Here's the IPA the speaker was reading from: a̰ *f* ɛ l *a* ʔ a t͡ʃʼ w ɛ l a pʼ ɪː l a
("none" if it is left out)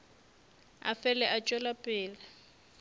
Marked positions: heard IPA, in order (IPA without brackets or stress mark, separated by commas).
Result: f, ɛ